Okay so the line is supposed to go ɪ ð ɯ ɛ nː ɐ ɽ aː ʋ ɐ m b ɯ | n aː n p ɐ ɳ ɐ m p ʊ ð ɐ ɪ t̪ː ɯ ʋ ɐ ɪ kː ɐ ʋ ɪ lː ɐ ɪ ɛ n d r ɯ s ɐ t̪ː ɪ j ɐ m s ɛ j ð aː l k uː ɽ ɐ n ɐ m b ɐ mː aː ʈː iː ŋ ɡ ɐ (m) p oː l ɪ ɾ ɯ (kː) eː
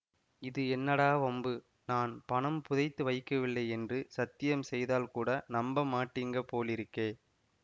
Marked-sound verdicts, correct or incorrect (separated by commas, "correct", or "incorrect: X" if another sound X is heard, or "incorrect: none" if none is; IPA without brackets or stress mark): incorrect: none, correct